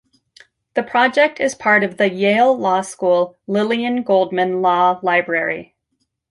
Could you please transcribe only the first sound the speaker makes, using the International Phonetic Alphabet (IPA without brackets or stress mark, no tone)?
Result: ð